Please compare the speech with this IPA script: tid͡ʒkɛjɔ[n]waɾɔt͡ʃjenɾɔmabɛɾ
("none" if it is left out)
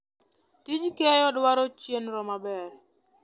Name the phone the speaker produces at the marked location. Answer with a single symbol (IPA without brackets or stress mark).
d